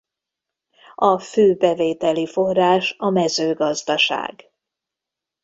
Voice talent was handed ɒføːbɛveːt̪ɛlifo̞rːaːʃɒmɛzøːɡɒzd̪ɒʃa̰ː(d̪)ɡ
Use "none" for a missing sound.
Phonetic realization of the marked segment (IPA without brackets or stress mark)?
none